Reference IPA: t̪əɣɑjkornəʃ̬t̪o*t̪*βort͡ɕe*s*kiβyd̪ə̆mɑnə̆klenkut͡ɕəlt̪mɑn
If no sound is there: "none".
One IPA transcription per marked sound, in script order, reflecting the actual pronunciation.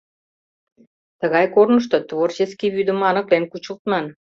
t̪, s

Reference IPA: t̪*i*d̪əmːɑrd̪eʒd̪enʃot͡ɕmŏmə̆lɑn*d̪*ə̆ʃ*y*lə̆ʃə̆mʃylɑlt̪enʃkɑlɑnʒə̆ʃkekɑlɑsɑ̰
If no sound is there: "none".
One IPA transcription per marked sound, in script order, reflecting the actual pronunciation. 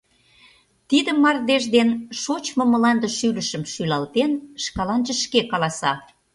i, d̪, y

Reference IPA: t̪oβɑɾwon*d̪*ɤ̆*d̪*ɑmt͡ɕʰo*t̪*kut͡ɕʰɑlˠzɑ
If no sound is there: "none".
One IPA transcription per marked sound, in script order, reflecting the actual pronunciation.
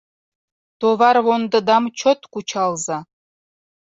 d̪, d̪, t̪

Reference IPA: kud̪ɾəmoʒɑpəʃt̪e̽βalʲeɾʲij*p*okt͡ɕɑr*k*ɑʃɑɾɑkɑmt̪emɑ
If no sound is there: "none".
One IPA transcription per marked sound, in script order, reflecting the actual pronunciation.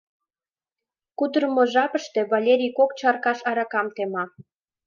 k, k

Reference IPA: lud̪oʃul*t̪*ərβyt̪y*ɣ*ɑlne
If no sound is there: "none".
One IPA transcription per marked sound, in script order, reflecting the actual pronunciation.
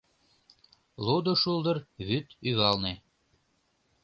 d̪, ɣ

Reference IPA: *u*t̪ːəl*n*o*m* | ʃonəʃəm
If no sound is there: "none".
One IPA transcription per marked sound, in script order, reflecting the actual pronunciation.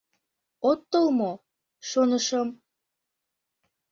o, m, none

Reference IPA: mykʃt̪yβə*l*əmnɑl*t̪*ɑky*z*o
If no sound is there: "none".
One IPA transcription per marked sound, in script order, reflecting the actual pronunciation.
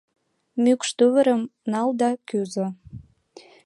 ɾ, d̪, z

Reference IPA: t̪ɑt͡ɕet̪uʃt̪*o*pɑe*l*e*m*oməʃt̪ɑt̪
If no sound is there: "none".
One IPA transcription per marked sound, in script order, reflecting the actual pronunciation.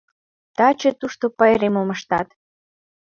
o, ɾ, m

